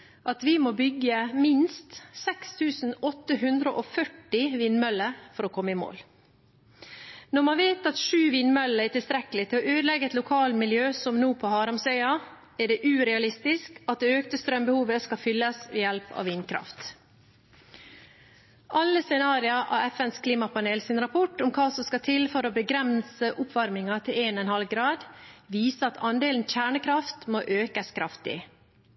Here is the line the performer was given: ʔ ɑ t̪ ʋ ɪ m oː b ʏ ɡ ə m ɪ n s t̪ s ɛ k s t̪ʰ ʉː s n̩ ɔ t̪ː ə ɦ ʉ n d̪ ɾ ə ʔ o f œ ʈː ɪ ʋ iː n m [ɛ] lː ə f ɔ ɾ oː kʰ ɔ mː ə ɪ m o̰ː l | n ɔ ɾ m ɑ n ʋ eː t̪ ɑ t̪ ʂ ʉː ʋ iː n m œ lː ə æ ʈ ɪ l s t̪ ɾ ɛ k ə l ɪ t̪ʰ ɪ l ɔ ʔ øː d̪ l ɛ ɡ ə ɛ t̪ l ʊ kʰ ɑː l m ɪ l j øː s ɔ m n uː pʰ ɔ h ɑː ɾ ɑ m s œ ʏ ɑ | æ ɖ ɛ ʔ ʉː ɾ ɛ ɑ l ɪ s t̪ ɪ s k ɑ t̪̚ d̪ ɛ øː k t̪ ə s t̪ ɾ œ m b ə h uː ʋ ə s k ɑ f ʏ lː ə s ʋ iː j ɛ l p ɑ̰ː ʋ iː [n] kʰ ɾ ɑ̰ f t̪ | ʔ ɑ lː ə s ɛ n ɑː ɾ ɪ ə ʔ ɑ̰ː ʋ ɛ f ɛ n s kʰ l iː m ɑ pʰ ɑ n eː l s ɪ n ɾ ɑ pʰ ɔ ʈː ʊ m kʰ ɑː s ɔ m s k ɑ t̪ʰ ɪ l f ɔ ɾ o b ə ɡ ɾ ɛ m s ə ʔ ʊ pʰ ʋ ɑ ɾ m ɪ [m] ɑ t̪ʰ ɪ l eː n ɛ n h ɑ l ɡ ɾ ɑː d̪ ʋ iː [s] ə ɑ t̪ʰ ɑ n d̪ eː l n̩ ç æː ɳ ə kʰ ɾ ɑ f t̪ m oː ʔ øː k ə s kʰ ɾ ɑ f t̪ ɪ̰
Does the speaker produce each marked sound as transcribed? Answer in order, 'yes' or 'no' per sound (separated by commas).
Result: no, yes, no, yes